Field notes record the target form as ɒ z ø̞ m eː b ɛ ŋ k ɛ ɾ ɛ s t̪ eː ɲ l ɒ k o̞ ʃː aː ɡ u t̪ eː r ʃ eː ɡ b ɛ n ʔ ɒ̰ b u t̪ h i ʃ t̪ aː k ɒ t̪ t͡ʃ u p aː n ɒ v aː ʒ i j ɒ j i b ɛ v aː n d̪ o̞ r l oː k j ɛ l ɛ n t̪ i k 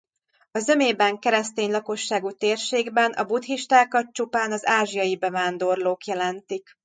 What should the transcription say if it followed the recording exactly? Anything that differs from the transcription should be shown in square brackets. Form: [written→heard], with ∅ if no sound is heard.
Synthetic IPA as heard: ɒ z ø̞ m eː b ɛ ŋ k ɛ ɾ ɛ s t̪ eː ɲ l ɒ k o̞ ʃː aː ɡ u t̪ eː r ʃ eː ɡ b ɛ n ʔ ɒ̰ b u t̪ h i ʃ t̪ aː k ɒ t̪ t͡ʃ u p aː n ɒ [v→z] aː ʒ i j ɒ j i b ɛ v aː n d̪ o̞ r l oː k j ɛ l ɛ n t̪ i k